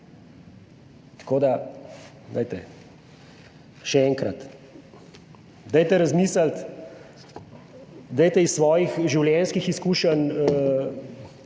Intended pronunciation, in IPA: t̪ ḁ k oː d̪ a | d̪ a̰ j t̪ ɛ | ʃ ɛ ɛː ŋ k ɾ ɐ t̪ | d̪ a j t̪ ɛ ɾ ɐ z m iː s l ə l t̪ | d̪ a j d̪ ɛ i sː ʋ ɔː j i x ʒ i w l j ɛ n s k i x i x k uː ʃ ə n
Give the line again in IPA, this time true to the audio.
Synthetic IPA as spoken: t̪ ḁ k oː d̪ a | d̪ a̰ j t̪ ɛ | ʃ ɛ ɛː ŋ k ɾ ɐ t̪ | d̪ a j t̪ ɛ ɾ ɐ z m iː s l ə l t̪ | d̪ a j t̪ ɛ i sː ʋ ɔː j i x ʒ i w l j ɛ n s k i x i s k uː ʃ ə n